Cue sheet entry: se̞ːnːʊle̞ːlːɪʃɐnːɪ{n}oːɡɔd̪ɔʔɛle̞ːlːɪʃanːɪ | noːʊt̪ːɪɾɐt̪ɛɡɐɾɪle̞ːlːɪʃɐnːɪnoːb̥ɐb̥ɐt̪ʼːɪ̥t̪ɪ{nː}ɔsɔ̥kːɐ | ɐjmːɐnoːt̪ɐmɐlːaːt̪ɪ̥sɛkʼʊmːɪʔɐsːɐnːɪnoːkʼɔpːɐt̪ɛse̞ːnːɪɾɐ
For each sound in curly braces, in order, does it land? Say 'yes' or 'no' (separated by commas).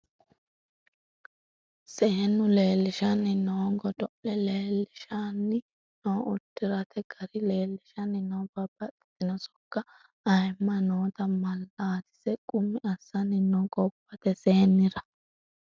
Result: yes, no